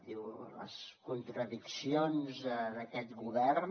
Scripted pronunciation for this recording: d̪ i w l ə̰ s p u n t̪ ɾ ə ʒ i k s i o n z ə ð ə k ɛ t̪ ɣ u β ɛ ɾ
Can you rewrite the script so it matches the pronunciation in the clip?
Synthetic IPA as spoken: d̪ i w l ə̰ s k u n t̪ ɾ ə ð i k s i o n z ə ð ə k ɛ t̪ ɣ u β ɛ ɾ